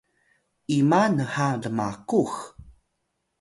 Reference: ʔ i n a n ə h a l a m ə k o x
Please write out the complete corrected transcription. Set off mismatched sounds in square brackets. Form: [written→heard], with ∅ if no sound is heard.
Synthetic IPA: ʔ i [n→m] a n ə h a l [a→ə] m [ə→a] k [o→u] x